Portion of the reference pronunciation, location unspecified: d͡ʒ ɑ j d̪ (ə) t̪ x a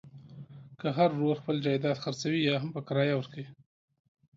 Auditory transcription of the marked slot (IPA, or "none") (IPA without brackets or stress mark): ɑ